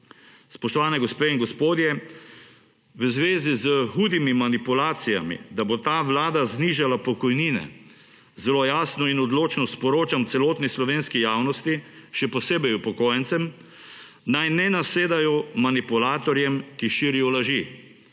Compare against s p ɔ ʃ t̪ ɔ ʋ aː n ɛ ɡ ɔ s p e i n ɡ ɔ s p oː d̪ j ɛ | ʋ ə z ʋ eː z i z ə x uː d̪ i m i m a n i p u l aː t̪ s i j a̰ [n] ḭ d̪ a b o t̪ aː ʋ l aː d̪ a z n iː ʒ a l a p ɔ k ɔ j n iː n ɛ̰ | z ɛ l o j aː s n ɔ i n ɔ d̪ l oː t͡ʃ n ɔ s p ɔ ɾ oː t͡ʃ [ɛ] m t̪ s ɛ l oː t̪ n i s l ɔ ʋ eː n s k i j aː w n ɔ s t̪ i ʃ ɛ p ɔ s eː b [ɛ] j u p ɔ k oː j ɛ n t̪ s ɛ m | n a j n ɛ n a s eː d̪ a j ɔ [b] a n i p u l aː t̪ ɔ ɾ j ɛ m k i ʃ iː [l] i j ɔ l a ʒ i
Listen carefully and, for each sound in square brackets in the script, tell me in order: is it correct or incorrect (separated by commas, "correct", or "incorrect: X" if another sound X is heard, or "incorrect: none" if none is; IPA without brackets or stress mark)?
incorrect: m, incorrect: a, correct, incorrect: m, incorrect: ɾ